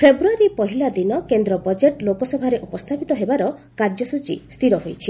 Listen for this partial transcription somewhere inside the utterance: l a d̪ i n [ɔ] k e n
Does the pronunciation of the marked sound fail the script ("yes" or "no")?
no